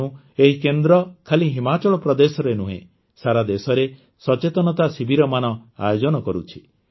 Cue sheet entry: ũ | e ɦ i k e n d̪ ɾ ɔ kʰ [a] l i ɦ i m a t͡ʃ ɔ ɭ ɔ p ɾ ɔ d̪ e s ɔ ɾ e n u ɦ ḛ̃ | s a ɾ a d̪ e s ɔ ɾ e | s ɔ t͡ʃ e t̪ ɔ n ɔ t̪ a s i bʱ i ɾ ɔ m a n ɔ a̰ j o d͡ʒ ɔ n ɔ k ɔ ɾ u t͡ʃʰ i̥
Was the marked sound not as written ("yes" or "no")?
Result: no